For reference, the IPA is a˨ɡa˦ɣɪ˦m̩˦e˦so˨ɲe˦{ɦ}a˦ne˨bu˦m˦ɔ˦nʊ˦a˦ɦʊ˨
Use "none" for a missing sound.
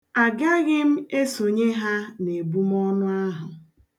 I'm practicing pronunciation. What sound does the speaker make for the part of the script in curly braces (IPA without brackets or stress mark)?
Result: ɦ